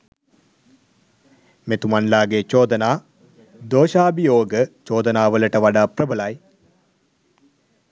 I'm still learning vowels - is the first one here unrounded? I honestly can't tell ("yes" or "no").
yes